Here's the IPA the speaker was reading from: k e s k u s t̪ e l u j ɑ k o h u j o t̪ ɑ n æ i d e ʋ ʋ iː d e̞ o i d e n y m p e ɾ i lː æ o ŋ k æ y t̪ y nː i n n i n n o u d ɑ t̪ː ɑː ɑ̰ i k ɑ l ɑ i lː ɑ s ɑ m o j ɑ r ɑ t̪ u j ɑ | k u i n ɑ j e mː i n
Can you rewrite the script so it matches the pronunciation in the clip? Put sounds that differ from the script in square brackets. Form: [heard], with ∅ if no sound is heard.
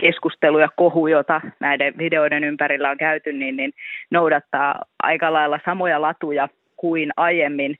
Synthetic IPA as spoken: k e s k u s t̪ e l u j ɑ k o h u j o t̪ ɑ n æ i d e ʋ ʋ [i] d e̞ o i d e n y m p [æ] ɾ i lː æ o ŋ k æ y t̪ y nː i n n i n n o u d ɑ t̪ː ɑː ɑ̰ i k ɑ l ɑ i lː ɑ s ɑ m o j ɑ [l] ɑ t̪ u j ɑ | k u i n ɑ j e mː i n